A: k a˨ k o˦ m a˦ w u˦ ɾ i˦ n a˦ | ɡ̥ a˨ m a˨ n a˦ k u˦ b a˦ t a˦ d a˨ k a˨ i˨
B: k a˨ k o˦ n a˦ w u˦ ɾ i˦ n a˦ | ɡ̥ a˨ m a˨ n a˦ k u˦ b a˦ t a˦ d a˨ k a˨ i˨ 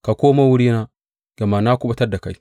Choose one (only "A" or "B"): A